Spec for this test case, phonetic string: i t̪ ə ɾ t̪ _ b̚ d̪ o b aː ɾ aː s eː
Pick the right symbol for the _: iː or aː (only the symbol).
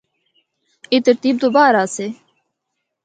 iː